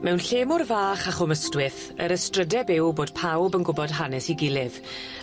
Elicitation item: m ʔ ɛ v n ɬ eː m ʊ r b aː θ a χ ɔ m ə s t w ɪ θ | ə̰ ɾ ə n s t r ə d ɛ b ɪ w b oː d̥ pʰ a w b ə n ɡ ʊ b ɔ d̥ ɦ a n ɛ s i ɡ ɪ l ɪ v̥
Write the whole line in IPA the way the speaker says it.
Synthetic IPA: m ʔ ɛ w n ɬ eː m ʊ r v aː χ a χ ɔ m ə s t w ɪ θ | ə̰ ɾ ə s t r ə d ɛ b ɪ w b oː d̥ pʰ a w b ə n ɡ ʊ b ɔ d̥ ɦ a n ɛ s i ɡ ɪ l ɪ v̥